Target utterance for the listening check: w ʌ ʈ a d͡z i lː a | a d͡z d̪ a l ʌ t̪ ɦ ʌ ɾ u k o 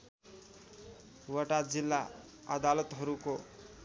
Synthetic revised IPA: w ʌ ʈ a d͡z i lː a | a d̪ a l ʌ t̪ ɦ ʌ ɾ u k o